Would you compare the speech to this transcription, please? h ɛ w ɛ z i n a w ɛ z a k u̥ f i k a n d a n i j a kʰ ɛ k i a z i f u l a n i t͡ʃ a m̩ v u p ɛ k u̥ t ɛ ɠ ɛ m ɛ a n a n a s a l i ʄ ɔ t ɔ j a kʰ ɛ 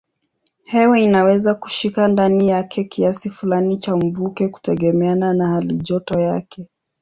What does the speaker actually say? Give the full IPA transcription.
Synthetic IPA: h ɛ w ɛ i n a w ɛ z a k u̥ ʃ i k a n d a n i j a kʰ ɛ k i a s i f u l a n i t͡ʃ a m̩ v u k ɛ k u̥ t ɛ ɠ ɛ m ɛ a n a n a h a l i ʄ ɔ t ɔ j a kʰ ɛ